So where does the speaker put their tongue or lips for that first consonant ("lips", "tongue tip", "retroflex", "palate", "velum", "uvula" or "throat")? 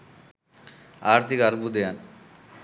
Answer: tongue tip